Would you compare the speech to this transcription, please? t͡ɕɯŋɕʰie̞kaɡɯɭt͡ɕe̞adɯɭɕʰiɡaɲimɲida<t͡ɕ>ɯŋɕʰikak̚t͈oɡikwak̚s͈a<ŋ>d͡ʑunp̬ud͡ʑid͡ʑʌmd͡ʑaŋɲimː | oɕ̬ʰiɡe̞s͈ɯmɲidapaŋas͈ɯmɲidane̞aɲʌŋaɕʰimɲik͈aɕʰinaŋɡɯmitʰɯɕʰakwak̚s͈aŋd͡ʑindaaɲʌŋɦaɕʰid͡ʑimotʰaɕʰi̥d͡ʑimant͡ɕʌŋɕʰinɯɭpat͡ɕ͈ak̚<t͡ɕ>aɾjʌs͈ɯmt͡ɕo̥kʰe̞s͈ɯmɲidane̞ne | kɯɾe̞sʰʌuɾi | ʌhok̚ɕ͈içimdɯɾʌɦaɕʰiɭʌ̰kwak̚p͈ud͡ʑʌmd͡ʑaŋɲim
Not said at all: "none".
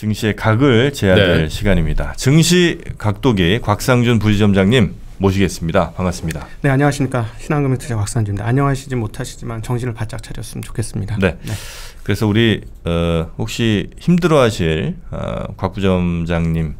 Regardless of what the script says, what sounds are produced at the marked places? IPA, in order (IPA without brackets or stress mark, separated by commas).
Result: t͡ɕ, ŋ, t͡ɕʰ